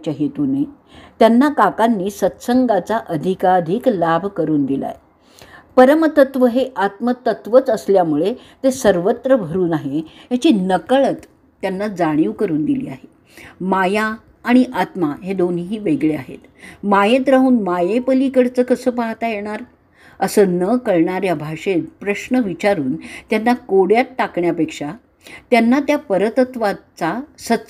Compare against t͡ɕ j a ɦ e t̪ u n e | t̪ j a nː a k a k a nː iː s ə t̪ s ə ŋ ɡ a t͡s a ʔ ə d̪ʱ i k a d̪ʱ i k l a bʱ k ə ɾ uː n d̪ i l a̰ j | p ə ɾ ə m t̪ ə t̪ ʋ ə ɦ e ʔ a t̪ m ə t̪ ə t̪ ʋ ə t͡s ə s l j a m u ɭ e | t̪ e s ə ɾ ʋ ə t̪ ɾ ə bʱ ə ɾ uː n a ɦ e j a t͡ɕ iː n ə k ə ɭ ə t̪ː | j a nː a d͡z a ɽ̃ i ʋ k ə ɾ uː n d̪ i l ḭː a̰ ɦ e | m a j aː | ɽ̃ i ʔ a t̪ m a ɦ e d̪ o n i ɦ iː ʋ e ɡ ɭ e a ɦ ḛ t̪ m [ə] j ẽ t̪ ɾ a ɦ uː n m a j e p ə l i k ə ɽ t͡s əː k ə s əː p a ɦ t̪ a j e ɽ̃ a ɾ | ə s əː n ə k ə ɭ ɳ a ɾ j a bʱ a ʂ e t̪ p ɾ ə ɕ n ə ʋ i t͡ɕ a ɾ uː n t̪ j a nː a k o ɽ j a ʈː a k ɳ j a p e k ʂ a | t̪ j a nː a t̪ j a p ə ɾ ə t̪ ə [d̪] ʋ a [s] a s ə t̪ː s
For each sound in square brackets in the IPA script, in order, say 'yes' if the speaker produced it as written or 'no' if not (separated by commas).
no, no, no